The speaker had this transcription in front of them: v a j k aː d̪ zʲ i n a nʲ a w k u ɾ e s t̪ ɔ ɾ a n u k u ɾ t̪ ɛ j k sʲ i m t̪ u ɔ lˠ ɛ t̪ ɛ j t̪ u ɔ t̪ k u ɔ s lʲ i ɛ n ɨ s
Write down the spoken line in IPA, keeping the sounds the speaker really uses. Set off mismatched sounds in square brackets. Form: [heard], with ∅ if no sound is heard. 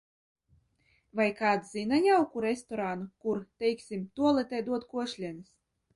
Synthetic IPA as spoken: v a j k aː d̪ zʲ i n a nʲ a w k u ɾ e s t̪ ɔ ɾ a n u k u ɾ t̪ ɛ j k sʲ i m t̪ u ɔ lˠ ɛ t̪ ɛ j [d̪] u ɔ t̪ k u ɔ [ʃ] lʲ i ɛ n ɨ s